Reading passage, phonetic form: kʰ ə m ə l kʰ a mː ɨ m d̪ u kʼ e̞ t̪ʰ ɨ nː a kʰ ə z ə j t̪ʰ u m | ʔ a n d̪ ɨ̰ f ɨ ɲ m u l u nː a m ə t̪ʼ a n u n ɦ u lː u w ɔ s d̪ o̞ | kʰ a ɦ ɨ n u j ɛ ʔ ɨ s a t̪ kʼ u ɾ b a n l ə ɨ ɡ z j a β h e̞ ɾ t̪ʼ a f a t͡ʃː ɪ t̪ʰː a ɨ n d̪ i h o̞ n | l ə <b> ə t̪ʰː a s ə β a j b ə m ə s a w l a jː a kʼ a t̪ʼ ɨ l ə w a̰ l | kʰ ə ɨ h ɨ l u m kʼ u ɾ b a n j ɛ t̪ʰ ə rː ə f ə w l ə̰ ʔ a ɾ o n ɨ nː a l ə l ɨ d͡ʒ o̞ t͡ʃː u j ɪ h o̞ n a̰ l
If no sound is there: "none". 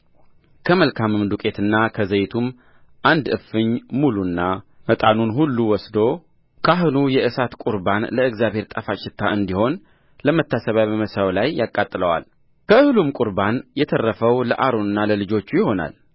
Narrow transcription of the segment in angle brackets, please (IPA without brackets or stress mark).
m